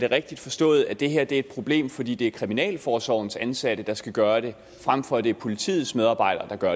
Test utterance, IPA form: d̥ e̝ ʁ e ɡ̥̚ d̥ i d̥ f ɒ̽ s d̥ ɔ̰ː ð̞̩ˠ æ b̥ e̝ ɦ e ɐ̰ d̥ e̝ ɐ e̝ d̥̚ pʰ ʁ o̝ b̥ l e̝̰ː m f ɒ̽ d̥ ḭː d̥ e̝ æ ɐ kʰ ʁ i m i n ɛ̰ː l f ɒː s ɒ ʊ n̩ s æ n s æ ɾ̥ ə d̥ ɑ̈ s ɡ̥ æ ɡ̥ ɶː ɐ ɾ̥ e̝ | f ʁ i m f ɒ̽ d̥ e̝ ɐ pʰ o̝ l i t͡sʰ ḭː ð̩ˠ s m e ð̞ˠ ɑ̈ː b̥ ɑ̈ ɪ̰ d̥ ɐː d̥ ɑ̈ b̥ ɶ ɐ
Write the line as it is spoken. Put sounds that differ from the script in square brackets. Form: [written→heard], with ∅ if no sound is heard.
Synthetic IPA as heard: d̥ e̝ ʁ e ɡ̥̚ d̥ i d̥ f ɒ̽ s d̥ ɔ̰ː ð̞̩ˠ æ [b̥→d̥] e̝ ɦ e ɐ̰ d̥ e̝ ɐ e̝ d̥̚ pʰ ʁ o̝ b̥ l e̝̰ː m f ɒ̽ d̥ ḭː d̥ e̝ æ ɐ kʰ ʁ i m i n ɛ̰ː l f ɒː s ɒ ʊ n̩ s æ n s æ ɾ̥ ə d̥ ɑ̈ s ɡ̥ æ ɡ̥ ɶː ɐ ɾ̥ e̝ | f ʁ [i→a] m f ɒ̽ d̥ e̝ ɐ pʰ o̝ l i t͡sʰ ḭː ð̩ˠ s m e ð̞ˠ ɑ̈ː b̥ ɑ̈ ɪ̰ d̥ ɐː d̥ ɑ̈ [b̥→ɡ̥] ɶ ɐ